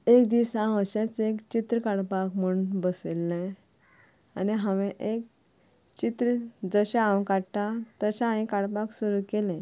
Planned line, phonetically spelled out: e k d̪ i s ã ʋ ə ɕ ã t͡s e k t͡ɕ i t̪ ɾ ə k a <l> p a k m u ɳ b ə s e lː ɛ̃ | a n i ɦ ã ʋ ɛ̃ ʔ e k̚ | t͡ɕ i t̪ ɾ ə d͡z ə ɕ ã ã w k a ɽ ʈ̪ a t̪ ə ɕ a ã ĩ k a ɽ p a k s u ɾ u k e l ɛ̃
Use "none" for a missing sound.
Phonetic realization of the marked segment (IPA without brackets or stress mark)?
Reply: ɽ